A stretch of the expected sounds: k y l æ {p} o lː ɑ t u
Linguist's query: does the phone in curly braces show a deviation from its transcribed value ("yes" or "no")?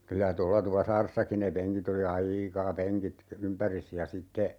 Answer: yes